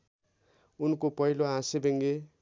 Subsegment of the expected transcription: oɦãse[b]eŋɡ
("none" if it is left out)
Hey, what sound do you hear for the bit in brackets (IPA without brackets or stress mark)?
b